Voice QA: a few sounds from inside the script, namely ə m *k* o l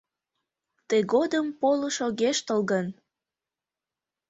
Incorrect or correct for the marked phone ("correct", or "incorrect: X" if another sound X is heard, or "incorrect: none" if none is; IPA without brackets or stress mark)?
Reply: incorrect: p